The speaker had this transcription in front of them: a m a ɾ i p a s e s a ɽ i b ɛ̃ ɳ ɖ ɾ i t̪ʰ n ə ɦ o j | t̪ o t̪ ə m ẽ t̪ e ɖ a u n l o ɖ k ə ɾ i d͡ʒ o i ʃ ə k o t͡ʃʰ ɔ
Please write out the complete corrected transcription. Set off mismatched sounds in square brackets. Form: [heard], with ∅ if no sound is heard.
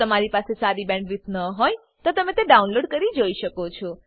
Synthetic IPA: [ə] m a ɾ i p a s e s a [ɾ] i b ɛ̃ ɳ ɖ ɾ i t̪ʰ n ə ɦ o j | t̪ o t̪ ə m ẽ t̪ e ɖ a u n l o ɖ k ə ɾ i d͡ʒ o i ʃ ə k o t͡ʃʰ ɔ